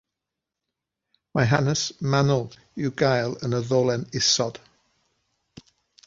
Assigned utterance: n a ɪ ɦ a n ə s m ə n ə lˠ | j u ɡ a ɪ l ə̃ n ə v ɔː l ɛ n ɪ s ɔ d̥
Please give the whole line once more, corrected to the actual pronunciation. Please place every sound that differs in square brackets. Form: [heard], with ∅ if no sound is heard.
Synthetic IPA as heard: [m] a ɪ ɦ a n ə s m [a] n ə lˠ | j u ɡ a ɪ l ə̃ n ə [ð] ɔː l ɛ n ɪ s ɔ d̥